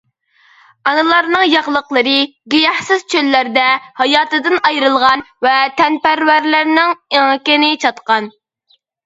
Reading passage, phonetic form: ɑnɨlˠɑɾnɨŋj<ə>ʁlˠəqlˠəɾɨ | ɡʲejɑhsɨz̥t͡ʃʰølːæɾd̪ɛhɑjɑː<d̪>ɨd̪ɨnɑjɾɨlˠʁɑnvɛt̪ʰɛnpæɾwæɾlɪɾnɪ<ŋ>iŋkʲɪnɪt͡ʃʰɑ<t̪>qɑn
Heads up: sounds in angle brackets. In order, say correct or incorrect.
incorrect, incorrect, correct, correct

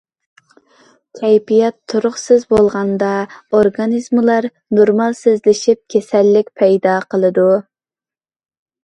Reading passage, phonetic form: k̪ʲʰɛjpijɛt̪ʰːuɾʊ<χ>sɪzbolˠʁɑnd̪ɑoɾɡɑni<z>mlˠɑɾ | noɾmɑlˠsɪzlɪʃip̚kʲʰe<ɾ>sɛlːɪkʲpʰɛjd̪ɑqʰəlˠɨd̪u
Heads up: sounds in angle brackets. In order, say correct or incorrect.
correct, correct, incorrect

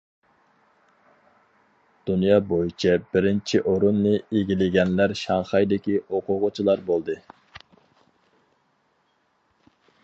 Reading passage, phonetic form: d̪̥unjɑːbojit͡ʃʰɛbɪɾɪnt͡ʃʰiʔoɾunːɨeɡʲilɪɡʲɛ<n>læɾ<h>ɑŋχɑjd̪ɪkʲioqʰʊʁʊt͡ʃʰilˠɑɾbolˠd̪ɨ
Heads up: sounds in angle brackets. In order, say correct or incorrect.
correct, incorrect

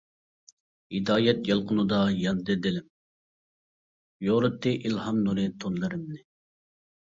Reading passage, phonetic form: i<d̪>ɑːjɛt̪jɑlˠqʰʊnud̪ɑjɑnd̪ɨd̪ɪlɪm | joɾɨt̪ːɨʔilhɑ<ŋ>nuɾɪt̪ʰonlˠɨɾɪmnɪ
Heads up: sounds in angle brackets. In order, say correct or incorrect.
correct, incorrect

